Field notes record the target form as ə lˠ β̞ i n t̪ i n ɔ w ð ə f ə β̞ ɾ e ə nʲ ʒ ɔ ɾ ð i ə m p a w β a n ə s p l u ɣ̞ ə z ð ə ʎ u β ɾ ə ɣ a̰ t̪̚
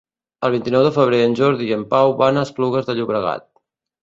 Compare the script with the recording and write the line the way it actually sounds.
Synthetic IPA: ə lˠ β̞ i n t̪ i n ɔ w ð ə f ə β̞ ɾ e ə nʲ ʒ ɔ ɾ ð i ə m p a w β a n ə s p l u ɣ̞ ə z ð ə ʎ u β ɾ ə ɣ a̰ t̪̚